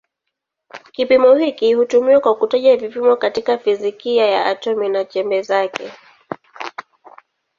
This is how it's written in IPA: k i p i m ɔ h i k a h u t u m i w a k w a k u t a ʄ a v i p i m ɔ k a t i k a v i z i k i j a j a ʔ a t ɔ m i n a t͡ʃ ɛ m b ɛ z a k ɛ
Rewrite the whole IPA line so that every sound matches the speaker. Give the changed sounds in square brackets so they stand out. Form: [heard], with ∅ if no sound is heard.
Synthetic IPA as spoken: k i p i m ɔ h i k [i] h u t u m i w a k w a k u t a ʄ a v i p i m ɔ k a t i k a [f] i z i k i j a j a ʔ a t ɔ m i n a t͡ʃ ɛ m b ɛ z a k ɛ